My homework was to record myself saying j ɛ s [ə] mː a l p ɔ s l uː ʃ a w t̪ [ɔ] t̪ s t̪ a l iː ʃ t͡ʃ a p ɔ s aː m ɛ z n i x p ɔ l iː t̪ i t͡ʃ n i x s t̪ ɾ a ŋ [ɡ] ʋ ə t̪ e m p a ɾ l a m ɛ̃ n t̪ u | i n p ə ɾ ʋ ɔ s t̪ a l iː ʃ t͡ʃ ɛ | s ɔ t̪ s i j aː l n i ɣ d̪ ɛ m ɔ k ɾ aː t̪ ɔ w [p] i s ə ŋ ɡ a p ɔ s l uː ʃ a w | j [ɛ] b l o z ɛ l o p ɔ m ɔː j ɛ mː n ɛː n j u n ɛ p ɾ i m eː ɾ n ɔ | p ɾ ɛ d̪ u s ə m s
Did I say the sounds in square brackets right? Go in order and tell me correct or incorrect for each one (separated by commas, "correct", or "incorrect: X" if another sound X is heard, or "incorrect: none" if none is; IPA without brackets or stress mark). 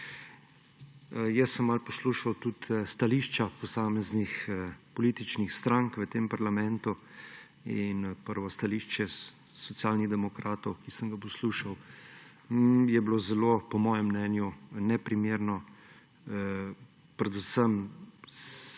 correct, incorrect: u, incorrect: k, incorrect: k, correct